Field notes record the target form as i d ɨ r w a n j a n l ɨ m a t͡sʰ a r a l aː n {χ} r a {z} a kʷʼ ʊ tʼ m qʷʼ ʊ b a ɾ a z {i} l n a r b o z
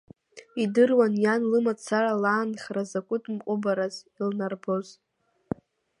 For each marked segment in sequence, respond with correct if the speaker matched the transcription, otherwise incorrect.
correct, correct, correct

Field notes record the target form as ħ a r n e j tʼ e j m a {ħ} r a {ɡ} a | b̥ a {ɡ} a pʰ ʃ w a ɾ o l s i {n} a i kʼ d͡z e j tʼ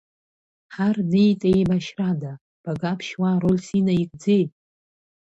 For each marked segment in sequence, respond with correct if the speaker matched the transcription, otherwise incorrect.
incorrect, incorrect, correct, correct

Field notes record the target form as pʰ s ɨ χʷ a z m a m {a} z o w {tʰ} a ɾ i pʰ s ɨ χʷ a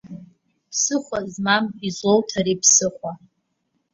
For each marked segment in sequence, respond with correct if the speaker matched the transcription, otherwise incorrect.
incorrect, correct

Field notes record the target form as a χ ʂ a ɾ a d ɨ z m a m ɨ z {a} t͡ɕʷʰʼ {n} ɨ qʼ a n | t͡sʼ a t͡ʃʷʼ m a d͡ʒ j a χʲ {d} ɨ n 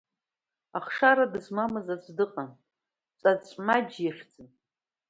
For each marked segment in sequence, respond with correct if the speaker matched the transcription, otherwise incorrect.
correct, incorrect, incorrect

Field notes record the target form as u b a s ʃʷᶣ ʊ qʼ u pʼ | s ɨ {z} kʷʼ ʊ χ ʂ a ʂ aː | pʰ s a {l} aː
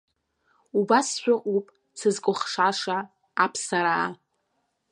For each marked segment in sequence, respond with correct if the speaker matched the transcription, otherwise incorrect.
correct, incorrect

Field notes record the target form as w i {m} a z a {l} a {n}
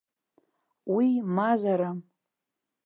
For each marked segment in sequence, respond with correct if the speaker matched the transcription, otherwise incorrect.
correct, incorrect, incorrect

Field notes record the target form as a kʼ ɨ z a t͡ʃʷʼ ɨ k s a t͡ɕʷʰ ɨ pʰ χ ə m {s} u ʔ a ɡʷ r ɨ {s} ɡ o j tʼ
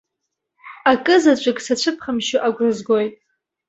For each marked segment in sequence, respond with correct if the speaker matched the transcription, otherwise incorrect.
incorrect, incorrect

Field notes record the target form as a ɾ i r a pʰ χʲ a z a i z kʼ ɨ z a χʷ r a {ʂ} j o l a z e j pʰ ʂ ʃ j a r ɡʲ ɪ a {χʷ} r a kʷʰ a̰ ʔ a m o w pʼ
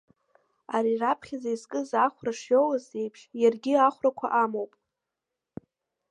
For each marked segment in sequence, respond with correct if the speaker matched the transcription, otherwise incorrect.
correct, correct

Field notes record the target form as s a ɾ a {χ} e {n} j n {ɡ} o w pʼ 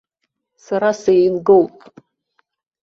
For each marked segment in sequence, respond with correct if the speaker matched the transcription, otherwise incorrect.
incorrect, incorrect, correct

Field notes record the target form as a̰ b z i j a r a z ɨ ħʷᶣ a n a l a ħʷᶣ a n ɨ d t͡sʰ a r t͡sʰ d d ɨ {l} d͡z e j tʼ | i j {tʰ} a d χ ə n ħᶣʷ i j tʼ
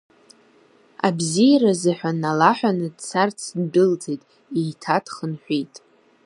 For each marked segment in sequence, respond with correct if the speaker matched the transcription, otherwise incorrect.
correct, correct

